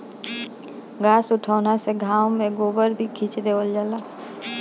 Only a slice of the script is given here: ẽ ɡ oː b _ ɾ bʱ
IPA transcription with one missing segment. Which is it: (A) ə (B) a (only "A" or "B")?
A